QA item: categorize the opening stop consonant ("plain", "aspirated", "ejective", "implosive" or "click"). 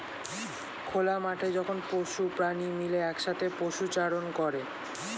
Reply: aspirated